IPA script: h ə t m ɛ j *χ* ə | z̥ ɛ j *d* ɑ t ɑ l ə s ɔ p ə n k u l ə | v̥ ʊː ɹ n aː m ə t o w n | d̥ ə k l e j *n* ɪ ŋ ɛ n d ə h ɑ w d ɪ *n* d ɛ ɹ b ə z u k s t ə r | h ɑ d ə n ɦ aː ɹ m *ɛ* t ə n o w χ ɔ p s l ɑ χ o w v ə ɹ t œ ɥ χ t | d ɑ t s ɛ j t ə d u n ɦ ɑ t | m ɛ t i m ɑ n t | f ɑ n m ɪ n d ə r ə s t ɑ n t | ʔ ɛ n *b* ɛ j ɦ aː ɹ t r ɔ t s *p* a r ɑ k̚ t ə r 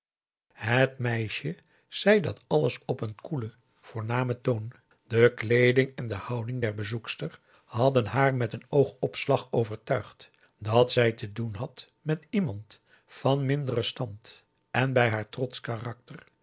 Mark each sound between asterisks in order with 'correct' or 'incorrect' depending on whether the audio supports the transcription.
incorrect: ʃ, correct, incorrect: d, incorrect: ŋ, correct, correct, incorrect: k

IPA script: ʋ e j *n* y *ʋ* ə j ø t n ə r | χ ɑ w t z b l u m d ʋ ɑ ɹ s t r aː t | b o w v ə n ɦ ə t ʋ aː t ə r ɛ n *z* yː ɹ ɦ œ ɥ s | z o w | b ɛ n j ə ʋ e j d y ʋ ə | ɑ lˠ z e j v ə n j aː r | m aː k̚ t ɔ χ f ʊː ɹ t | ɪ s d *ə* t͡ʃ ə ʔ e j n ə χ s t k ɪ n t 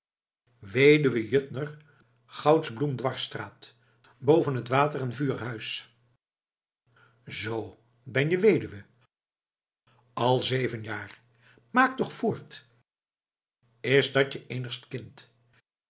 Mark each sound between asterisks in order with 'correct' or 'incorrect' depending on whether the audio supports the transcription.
incorrect: d, correct, incorrect: v, incorrect: ɑ

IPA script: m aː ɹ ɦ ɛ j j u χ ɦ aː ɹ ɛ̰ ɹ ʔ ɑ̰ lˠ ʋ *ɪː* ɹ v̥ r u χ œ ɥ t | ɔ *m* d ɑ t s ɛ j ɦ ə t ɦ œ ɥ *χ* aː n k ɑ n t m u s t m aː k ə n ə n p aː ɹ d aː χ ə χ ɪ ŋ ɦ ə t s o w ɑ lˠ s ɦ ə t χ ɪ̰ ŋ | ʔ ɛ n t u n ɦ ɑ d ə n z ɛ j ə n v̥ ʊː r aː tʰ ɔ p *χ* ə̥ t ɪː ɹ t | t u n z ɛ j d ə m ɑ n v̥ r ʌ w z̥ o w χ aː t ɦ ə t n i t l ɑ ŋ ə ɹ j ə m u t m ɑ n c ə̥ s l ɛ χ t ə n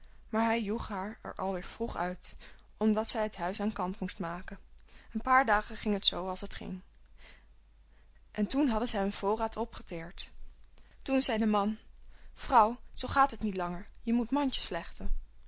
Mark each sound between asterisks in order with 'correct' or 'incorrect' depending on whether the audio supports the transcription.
correct, correct, incorrect: s, correct

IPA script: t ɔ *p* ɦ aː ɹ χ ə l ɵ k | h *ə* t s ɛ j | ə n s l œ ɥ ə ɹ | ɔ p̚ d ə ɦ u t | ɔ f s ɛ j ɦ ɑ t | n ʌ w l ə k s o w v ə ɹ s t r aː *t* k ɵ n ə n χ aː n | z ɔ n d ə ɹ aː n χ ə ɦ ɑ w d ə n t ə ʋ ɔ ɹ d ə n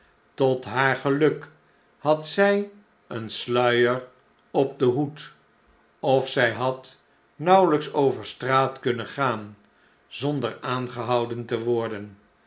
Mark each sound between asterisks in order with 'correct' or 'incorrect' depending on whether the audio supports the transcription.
incorrect: t, incorrect: ɑ, correct

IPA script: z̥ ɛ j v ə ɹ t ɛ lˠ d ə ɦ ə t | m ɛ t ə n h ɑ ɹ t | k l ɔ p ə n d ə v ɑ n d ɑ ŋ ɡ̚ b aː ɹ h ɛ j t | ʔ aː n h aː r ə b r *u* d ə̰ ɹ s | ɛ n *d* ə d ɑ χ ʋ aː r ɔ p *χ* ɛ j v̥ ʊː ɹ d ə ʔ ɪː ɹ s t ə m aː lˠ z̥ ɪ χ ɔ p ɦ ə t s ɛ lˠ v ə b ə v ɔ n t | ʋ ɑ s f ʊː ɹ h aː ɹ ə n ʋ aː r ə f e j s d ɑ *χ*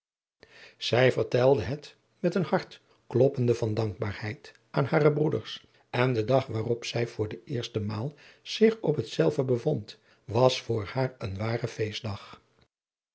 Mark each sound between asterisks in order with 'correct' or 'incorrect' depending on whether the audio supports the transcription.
correct, correct, incorrect: s, correct

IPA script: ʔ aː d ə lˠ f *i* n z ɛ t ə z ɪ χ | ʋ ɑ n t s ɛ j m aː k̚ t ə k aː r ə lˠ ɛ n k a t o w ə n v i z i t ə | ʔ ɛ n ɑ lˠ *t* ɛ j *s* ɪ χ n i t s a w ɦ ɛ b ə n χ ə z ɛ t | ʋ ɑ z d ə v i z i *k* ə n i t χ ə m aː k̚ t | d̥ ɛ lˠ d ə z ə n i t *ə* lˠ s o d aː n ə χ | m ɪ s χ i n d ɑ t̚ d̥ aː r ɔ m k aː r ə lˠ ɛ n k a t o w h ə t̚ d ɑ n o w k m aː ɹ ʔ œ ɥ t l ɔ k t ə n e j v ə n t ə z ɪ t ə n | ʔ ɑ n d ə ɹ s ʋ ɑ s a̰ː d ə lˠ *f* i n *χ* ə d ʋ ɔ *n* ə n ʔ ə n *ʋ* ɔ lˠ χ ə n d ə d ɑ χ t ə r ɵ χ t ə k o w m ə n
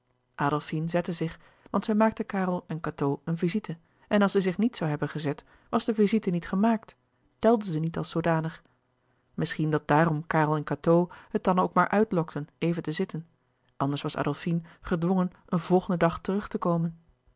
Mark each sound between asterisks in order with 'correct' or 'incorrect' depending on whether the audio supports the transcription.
correct, incorrect: s, incorrect: z, incorrect: t, incorrect: ɑ, correct, correct, incorrect: ŋ, incorrect: v

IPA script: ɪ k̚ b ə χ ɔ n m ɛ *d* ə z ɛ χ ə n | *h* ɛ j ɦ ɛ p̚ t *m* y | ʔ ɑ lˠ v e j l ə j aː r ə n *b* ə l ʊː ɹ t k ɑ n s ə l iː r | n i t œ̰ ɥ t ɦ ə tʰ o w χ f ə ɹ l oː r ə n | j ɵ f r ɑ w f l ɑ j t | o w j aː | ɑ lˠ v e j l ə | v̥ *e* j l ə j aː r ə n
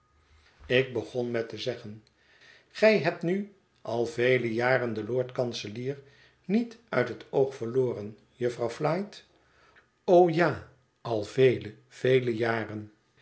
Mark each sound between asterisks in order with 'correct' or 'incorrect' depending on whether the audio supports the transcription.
incorrect: t, incorrect: χ, incorrect: n, incorrect: d, correct

